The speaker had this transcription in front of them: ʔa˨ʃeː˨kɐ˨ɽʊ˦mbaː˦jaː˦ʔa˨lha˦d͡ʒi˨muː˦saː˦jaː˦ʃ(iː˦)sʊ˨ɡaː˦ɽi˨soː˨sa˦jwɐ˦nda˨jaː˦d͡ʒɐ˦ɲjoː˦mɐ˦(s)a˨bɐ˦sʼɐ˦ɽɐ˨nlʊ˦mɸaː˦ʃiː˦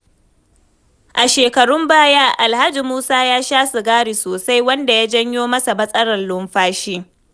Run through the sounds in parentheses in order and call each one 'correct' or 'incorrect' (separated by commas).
incorrect, correct